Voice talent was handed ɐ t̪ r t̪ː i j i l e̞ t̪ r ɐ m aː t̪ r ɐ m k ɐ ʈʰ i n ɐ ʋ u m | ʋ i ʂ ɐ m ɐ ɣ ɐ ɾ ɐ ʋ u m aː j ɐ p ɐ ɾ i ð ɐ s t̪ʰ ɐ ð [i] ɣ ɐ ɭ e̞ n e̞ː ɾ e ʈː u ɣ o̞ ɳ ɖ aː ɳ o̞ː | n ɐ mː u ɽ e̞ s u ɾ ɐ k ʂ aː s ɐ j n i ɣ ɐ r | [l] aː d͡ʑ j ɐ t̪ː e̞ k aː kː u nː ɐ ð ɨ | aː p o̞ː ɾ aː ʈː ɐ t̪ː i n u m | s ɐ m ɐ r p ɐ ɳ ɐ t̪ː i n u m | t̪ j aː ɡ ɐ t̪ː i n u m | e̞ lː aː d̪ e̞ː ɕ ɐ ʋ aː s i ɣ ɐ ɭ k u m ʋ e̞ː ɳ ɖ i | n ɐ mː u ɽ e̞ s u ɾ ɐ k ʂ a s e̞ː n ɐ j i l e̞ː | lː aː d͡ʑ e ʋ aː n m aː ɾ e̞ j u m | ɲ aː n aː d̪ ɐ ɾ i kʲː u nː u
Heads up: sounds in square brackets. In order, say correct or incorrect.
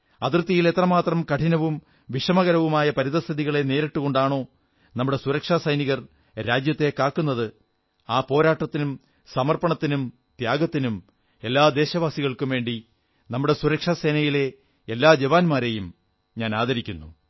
correct, incorrect: ɾ

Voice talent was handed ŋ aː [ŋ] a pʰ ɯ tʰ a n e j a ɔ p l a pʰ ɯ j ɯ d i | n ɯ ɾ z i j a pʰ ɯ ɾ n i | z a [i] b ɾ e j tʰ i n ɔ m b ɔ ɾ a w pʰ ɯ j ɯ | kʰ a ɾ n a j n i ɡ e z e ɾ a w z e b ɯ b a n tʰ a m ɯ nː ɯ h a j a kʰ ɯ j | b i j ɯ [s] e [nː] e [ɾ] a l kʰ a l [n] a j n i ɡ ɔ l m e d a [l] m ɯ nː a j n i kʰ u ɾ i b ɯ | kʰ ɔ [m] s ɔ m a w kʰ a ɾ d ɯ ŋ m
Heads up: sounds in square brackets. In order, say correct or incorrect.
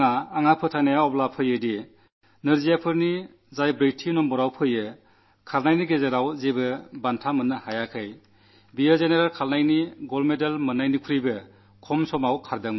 correct, incorrect: j, incorrect: z, incorrect: n, correct, correct, correct, correct

